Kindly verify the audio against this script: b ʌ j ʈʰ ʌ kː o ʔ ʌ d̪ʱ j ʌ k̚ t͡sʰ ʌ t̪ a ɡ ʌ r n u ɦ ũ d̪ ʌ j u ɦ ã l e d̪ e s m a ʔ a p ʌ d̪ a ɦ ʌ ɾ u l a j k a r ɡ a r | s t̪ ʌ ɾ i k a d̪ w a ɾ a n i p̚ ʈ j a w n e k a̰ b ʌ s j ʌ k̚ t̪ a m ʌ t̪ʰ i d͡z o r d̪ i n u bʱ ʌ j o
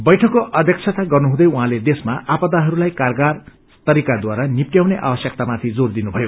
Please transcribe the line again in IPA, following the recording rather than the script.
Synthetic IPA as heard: b ʌ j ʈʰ ʌ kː o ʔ ʌ d̪ʱ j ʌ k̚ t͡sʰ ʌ t̪ a ɡ ʌ r n u ɦ ũ d̪ ʌ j u ɦ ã l e d̪ e s m a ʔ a p ʌ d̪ a ɦ ʌ ɾ u l a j k a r ɡ a r | s t̪ ʌ ɾ i k a d̪ w a ɾ a n i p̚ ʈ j a w n e ʔ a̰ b ʌ s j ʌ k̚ t̪ a m a t̪ʰ i d͡z o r d̪ i n u bʱ ʌ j o

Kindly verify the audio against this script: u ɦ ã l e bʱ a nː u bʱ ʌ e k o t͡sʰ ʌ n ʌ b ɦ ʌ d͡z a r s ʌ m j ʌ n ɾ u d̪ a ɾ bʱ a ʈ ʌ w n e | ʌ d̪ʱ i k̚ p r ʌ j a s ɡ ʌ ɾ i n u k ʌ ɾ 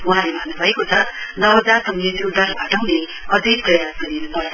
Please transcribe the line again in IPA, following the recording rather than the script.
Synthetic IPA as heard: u ɦ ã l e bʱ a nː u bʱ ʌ e k o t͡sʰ ʌ n ʌ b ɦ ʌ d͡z a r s ʌ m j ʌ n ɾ u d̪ a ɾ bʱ a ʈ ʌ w n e | ʌ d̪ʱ i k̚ p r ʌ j a s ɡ ʌ ɾ i n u p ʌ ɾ

